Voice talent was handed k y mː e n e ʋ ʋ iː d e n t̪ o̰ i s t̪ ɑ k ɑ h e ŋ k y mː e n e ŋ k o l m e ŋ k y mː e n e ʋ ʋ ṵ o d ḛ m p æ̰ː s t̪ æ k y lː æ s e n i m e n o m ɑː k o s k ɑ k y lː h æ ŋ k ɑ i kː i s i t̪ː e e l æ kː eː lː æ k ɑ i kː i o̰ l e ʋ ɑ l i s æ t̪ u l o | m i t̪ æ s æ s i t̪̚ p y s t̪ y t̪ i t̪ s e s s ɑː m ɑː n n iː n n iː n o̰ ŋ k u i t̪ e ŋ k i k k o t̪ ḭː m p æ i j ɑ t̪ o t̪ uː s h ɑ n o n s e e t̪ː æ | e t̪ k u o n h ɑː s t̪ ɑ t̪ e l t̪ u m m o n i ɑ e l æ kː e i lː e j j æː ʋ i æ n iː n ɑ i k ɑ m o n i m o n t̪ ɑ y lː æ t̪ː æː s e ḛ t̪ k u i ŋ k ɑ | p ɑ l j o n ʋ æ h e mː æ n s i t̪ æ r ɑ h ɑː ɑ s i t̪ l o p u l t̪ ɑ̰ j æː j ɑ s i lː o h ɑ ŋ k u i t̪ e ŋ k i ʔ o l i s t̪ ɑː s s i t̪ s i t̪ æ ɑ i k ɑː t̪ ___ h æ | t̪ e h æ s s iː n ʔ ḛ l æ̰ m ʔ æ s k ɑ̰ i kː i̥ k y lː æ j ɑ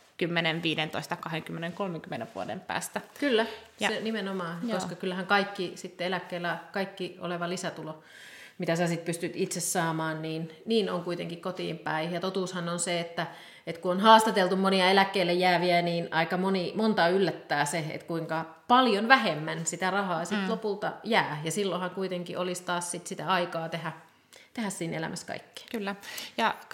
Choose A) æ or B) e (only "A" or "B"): B